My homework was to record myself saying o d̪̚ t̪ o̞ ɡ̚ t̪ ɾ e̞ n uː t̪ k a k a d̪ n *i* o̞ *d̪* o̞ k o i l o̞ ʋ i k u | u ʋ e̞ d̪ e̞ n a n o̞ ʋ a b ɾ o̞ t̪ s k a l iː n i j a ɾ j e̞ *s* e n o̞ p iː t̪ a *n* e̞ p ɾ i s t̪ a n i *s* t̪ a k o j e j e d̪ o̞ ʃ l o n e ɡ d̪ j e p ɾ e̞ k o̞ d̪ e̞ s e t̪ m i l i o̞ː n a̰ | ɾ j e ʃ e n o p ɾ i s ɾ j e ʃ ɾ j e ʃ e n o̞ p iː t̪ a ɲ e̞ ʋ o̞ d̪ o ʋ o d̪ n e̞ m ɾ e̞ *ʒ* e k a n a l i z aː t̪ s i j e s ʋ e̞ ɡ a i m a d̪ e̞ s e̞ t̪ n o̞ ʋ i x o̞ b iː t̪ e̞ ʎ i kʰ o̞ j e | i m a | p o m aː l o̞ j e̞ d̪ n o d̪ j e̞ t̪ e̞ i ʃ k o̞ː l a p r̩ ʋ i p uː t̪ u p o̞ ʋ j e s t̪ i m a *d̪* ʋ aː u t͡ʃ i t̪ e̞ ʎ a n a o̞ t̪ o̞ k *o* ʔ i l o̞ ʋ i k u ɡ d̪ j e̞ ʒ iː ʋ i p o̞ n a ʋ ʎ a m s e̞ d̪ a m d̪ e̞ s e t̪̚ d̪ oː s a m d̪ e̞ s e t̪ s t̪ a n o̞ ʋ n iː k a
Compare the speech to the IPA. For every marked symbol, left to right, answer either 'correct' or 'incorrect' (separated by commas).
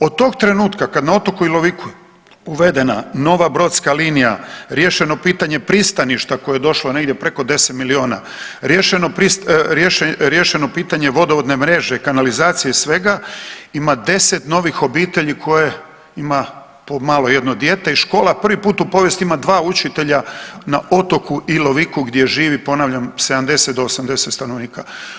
incorrect, incorrect, incorrect, incorrect, incorrect, correct, correct, incorrect